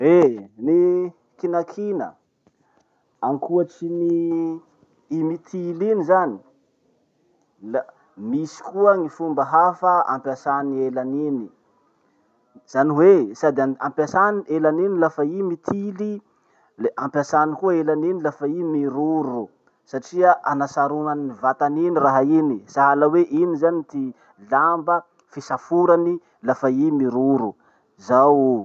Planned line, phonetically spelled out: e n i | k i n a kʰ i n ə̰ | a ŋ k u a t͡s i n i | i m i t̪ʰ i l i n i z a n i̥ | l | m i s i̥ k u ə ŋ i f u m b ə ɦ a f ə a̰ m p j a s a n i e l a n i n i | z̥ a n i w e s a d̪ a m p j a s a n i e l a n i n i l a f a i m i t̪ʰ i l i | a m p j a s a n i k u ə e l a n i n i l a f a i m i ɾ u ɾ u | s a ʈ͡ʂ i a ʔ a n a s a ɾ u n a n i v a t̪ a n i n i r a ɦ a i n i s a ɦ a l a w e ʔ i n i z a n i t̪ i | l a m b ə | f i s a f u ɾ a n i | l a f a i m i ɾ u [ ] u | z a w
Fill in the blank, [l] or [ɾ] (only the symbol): ɾ